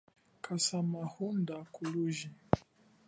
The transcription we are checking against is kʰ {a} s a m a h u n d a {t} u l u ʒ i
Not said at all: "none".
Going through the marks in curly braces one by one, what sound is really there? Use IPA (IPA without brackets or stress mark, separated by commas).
a, k